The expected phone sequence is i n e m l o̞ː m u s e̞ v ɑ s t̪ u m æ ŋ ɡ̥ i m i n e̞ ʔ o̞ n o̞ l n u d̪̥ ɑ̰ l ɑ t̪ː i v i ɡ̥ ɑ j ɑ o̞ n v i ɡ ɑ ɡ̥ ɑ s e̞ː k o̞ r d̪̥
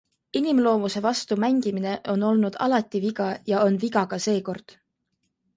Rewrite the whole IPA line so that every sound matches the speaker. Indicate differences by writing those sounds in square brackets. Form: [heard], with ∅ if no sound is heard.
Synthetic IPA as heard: i n [i] m l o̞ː m u s e̞ v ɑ s t̪ u m æ ŋ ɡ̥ i m i n e̞ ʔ o̞ n o̞ l n u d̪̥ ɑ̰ l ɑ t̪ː i v i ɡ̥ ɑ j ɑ o̞ n v i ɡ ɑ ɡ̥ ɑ s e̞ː k o̞ r d̪̥